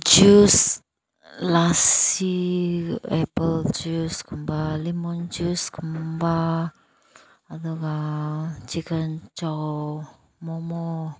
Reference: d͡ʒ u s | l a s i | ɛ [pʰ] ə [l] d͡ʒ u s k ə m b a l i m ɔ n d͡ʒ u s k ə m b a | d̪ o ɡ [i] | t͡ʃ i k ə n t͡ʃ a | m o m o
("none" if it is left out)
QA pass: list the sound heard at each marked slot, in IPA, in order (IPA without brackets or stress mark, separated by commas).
p, l, a